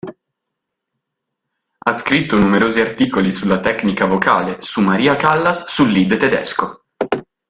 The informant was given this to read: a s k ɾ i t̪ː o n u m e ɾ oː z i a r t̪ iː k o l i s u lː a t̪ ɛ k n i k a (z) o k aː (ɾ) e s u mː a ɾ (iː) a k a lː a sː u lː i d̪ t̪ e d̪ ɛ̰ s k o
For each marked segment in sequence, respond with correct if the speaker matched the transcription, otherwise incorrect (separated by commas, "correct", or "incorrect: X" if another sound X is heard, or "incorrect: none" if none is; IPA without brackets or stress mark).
incorrect: v, incorrect: l, correct